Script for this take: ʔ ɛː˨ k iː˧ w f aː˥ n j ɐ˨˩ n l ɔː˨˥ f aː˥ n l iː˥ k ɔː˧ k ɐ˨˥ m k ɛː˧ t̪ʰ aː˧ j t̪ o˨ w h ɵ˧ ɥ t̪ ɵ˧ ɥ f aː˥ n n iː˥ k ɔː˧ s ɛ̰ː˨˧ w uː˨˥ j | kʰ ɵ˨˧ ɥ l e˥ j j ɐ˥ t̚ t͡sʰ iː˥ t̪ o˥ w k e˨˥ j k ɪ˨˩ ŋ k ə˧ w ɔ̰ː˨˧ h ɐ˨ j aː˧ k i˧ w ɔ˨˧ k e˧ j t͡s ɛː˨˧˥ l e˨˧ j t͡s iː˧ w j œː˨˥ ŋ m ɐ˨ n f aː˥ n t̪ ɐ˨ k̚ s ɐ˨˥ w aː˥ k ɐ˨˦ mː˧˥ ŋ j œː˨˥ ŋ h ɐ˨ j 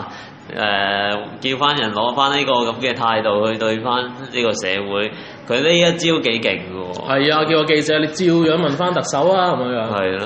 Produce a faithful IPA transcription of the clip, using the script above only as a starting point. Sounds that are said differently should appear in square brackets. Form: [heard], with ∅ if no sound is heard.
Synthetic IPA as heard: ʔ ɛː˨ k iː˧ w f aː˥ n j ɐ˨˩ n l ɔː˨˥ f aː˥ n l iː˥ k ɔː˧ k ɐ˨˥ m k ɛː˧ t̪ʰ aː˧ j t̪ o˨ w h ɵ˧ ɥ t̪ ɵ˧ ɥ f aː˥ n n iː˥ k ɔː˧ s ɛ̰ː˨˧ w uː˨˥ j | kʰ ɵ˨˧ ɥ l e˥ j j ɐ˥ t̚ [t͡s] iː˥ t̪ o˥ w k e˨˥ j k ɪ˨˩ ŋ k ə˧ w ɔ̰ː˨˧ h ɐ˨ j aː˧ k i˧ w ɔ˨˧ k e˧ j t͡s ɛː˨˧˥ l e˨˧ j t͡s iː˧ w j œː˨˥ ŋ m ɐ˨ n f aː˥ n t̪ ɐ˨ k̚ s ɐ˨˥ w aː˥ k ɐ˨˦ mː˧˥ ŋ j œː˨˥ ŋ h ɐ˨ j